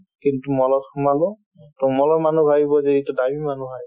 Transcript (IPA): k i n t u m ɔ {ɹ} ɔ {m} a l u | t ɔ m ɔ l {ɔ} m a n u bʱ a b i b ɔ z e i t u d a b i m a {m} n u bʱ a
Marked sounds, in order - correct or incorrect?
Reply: incorrect: l, correct, correct, incorrect: none

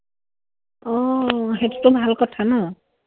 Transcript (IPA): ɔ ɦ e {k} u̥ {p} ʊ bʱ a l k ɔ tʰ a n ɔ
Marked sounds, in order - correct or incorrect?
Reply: incorrect: t, incorrect: t

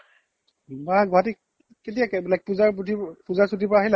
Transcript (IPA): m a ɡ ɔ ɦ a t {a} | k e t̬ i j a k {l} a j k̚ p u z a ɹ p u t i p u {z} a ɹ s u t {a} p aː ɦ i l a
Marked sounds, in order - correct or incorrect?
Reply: incorrect: i, correct, correct, incorrect: i

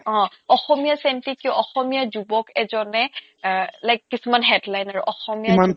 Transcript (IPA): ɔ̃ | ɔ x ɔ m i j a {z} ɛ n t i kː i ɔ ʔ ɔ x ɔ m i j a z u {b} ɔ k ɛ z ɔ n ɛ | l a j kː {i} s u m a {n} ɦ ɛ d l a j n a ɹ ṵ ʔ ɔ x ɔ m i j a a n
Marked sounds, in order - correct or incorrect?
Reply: incorrect: s, correct, correct, correct

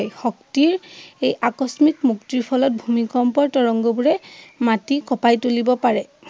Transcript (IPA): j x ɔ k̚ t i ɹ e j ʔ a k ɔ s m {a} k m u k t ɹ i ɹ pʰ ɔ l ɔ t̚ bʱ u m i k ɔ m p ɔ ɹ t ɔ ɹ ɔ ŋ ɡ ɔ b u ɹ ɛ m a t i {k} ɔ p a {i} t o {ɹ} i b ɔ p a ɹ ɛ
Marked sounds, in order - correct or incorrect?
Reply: incorrect: i, correct, incorrect: j, incorrect: l

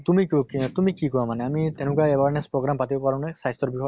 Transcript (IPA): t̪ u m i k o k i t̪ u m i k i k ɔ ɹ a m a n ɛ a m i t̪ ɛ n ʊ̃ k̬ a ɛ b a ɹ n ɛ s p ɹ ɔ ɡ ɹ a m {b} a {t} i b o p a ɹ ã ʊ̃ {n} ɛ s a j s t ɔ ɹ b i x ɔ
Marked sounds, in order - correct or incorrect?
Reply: incorrect: p, correct, correct

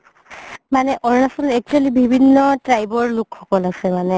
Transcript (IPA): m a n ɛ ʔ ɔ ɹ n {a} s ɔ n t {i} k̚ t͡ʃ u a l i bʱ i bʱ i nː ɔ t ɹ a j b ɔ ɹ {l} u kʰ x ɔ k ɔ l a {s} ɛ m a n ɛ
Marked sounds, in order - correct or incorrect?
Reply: correct, incorrect: ɛ, correct, correct

